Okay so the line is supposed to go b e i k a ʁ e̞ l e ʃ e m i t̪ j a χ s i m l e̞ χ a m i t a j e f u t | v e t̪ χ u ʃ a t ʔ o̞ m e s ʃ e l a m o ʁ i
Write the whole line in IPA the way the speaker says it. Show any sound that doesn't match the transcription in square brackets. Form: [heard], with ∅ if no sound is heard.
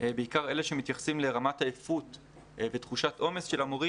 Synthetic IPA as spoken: b e i k a ʁ e̞ l e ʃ e m i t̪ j a χ s i m l e̞ [ʁ] a m [a] t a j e f u t | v e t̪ χ u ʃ a t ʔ o̞ m e s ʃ e l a m o ʁ i